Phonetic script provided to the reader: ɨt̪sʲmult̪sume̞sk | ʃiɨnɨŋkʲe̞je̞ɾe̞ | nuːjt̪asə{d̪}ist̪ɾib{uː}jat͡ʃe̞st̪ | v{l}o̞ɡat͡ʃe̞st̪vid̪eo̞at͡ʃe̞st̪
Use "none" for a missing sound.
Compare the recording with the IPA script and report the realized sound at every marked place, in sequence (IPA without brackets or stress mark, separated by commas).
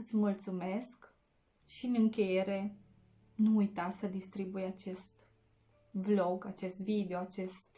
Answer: d̪, u, l